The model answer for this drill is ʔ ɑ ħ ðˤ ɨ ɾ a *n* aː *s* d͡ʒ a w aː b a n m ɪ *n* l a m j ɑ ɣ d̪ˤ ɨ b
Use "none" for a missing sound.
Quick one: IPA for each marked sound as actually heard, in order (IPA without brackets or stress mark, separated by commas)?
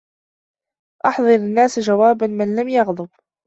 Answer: nː, s, n